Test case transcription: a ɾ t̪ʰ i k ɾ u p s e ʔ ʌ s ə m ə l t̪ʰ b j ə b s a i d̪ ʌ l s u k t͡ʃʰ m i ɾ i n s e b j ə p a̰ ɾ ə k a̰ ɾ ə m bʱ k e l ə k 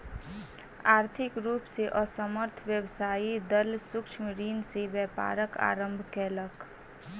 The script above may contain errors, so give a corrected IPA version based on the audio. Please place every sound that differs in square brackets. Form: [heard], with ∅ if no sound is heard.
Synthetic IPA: a ɾ t̪ʰ i k ɾ u p s e ʔ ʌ s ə m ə [ɾ] t̪ʰ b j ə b s a i d̪ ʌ l s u k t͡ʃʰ m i ɾ i n s e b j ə p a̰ ɾ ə k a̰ ɾ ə m bʱ k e l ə k